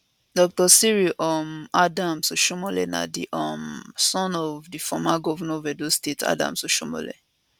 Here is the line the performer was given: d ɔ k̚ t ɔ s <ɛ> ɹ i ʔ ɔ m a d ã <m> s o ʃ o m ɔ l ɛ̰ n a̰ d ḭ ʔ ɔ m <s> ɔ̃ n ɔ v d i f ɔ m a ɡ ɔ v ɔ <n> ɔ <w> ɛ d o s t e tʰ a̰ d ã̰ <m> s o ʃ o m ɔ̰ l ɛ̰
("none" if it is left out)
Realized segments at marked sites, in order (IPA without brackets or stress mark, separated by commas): i, m, s, n, v, m